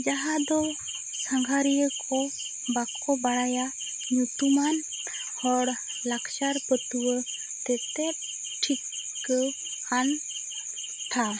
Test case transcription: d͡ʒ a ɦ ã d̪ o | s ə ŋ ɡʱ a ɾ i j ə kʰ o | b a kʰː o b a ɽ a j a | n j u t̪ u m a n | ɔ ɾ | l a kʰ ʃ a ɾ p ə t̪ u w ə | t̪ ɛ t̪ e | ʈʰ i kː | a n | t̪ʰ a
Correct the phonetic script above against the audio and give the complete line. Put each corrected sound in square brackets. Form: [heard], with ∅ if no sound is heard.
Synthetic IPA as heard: d͡ʒ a ɦ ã d̪ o | s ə ŋ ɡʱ a ɾ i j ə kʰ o | b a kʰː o b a ɽ a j a | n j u t̪ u m a n | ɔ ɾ | l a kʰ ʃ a ɾ p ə t̪ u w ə | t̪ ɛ t̪ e | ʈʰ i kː | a n | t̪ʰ a

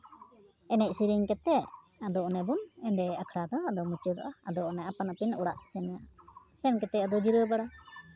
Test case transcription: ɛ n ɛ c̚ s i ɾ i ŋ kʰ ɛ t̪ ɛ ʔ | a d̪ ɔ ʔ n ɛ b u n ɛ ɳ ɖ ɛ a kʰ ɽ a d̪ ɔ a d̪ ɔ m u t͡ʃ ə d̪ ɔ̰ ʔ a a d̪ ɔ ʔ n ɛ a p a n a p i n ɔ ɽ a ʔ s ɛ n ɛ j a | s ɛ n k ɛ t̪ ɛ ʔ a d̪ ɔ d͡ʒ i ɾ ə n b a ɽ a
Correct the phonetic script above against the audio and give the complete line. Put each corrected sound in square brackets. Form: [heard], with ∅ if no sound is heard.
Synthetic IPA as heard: ɛ n ɛ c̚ s i ɾ i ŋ [k] ɛ t̪ ɛ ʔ | a d̪ ɔ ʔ n ɛ b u n ɛ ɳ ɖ ɛ a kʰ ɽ a d̪ ɔ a d̪ ɔ m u t͡ʃ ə d̪ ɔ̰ ʔ a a d̪ ɔ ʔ n ɛ a p a n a p i n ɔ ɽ a ʔ s ɛ n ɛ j a | s ɛ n k ɛ t̪ ɛ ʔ a d̪ ɔ d͡ʒ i ɾ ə [∅] b a ɽ a

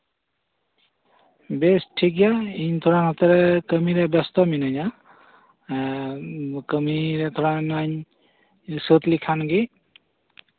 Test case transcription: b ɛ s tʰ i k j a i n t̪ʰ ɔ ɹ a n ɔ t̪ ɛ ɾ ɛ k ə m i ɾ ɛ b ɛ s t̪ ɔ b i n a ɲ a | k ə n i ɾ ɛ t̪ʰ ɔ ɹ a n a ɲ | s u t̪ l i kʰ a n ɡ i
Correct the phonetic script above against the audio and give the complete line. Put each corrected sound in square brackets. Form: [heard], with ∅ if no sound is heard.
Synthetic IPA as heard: b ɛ s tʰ i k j a i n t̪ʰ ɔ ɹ a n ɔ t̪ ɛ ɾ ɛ k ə m i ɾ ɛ b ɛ s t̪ ɔ [m] i n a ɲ a | k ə [m] i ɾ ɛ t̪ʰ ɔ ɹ a n a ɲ | s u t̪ l i kʰ a n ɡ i

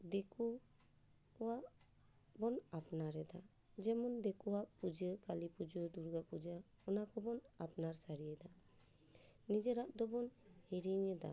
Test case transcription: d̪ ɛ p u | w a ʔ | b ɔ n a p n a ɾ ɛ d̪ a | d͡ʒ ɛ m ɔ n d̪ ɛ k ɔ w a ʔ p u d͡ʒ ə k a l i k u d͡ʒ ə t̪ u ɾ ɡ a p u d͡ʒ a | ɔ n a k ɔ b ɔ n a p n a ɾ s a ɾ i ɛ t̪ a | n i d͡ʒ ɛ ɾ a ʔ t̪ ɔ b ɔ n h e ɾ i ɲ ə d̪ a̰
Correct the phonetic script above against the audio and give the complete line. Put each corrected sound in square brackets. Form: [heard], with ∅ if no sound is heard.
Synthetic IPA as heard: d̪ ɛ [k] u | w a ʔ | b ɔ n a p n a ɾ ɛ d̪ a | d͡ʒ ɛ m ɔ n d̪ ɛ k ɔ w a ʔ p u d͡ʒ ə k a l i [p] u d͡ʒ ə [d̪] u ɾ ɡ a p u d͡ʒ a | ɔ n a k ɔ b ɔ n a p n a ɾ s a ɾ i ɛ [d̪] a | n i d͡ʒ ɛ ɾ a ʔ [d̪] ɔ b ɔ n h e ɾ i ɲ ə d̪ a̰

